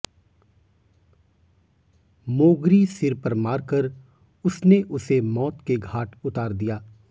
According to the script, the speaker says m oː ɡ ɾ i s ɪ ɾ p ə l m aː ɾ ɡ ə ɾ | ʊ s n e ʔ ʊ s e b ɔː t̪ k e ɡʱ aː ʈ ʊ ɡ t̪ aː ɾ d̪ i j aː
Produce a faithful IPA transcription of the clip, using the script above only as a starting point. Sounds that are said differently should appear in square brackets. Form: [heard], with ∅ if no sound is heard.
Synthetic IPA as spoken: m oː ɡ ɾ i s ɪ ɾ p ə [ɾ] m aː ɾ [k] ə ɾ | ʊ s n e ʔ ʊ s e [m] ɔː t̪ k e ɡʱ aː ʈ ʊ [∅] t̪ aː ɾ d̪ i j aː